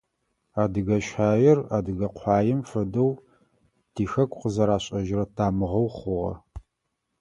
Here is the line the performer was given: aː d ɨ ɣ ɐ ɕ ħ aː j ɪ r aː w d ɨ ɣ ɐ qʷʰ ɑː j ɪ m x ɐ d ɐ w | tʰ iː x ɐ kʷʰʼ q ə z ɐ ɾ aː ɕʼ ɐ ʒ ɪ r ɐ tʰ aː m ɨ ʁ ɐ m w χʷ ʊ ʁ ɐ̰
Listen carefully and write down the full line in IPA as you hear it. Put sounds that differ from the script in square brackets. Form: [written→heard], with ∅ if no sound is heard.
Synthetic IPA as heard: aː d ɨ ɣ ɐ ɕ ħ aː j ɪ r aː [w→∅] d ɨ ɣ ɐ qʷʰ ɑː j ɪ m [x→f] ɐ d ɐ w | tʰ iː x ɐ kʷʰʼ q ə z ɐ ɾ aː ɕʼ ɐ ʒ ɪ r ɐ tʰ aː m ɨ ʁ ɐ [m→∅] w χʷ ʊ ʁ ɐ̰